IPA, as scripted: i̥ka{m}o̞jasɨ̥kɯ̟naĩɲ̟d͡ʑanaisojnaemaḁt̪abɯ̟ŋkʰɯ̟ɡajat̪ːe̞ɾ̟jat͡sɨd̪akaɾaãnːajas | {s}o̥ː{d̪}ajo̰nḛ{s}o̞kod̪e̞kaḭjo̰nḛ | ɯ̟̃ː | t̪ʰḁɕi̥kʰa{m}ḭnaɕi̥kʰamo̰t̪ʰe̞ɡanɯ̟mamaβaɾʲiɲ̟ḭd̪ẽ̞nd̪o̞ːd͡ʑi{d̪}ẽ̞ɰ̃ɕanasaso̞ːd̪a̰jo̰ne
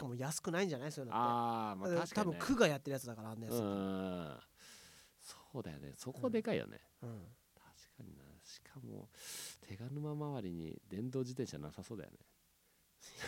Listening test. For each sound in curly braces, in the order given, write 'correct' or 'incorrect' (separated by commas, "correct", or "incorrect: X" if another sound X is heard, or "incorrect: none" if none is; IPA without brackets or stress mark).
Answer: correct, correct, correct, correct, incorrect: ɲ, incorrect: t̪